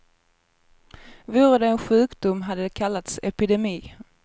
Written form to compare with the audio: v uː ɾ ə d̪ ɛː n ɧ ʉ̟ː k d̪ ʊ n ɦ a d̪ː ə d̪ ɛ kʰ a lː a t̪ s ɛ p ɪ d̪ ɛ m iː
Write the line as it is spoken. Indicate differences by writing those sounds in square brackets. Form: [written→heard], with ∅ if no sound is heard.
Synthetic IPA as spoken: v uː ɾ ə d̪ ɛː n ɧ ʉ̟ː k d̪ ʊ [n→m] ɦ a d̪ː ə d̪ ɛ kʰ a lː a t̪ s ɛ p ɪ d̪ ɛ m iː